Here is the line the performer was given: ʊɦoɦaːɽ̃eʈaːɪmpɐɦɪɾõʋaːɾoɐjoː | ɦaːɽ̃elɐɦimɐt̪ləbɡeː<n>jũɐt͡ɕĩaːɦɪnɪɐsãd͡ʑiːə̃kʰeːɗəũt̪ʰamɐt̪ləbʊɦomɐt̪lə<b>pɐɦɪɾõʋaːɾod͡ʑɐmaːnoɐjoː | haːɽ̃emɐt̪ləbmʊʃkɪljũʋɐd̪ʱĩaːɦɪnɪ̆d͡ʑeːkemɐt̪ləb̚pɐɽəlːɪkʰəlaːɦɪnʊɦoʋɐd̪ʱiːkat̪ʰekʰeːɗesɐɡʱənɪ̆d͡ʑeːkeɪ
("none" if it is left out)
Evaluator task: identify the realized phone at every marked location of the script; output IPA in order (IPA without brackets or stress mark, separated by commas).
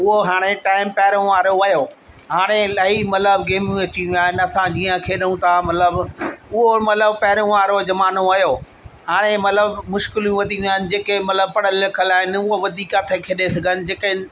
m, b